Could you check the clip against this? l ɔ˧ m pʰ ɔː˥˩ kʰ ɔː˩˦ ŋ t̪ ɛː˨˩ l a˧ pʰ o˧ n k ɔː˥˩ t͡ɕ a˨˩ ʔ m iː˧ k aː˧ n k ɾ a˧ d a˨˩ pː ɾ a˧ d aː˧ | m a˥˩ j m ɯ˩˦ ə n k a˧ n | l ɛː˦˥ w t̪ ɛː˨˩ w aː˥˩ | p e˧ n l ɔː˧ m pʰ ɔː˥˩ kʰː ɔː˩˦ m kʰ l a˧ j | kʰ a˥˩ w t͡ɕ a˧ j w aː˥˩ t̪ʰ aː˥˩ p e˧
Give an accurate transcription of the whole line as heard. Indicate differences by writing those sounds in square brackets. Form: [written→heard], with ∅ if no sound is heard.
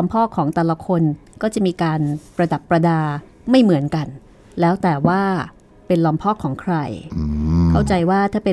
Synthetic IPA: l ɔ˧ m pʰ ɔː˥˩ kʰ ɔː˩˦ ŋ t̪ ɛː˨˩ l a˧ [pʰ→kʰ] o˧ n k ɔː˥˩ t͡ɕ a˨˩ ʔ m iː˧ k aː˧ n [k→p] ɾ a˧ d a˨˩ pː ɾ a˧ d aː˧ | m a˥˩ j m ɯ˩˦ ə n k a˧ n | l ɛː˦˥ w t̪ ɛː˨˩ w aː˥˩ | p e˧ n l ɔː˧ m pʰ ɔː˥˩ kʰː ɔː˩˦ [m→ŋ] kʰ [l→ɾ] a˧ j | kʰ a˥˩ w t͡ɕ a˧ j w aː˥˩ t̪ʰ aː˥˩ p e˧